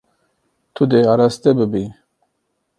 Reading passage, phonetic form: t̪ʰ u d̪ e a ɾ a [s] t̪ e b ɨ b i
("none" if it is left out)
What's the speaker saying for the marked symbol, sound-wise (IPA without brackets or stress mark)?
s